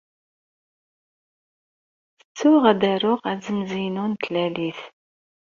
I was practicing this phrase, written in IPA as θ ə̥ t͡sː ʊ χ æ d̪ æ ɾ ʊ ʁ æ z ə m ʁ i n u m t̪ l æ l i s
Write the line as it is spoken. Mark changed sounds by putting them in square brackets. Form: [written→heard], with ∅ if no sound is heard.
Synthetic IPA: θ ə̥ t͡sː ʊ [χ→ʁ] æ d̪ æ ɾ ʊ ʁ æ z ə m [ʁ→z] i n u [m→n] t̪ l æ l i [s→θ]